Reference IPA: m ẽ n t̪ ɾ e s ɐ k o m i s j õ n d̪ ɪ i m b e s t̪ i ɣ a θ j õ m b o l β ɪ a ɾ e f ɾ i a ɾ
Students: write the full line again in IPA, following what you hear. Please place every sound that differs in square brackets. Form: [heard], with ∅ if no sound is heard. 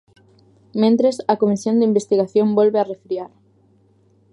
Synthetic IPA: m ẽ n t̪ ɾ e s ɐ k o m i s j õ n d̪ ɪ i m b e s t̪ i ɣ a θ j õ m b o l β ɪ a [r] e f ɾ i a ɾ